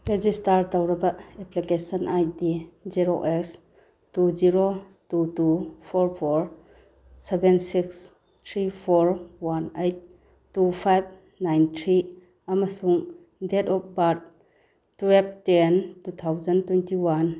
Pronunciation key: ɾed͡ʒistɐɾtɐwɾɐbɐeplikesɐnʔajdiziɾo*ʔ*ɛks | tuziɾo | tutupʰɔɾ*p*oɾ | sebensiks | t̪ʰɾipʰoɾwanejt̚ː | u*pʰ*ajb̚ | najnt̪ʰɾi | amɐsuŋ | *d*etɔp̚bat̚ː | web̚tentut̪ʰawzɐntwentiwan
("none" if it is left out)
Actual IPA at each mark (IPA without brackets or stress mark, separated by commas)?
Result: ʔ, pʰ, pʰ, d